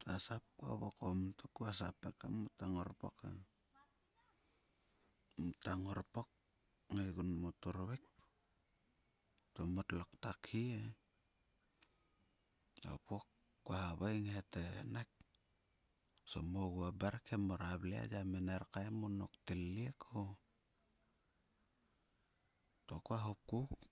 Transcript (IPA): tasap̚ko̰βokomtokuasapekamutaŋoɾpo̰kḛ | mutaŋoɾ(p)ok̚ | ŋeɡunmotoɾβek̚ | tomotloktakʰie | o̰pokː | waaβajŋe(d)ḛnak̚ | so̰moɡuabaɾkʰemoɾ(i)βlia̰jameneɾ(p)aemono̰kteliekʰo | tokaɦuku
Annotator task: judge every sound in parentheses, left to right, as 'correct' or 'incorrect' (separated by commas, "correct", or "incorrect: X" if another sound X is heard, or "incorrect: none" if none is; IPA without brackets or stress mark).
correct, incorrect: t, incorrect: a, incorrect: k